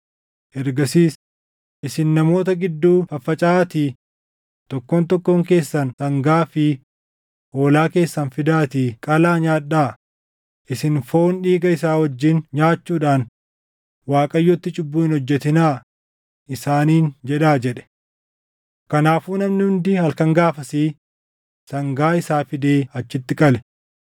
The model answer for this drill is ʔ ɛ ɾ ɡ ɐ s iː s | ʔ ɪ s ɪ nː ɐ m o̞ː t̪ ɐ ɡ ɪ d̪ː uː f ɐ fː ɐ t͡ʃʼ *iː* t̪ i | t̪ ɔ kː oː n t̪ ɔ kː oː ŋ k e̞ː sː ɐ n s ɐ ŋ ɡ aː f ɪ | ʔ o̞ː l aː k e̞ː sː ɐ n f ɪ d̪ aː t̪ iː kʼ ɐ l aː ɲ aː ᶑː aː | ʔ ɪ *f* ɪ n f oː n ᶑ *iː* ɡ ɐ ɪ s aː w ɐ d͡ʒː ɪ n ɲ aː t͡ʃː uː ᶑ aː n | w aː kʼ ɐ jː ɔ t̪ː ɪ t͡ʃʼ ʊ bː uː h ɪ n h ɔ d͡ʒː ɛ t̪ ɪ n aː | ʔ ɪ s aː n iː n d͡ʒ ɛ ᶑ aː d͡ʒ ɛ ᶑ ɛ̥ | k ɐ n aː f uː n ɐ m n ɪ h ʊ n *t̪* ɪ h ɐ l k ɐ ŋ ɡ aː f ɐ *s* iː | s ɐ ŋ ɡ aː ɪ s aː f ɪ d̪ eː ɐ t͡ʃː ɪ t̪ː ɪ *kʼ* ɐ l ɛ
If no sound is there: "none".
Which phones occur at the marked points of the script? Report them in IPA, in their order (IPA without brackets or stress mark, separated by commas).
aː, s, iː, d̪, s, kʼ